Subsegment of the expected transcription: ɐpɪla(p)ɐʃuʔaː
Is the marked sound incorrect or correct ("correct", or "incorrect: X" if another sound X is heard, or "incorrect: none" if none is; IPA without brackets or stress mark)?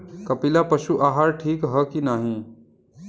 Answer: correct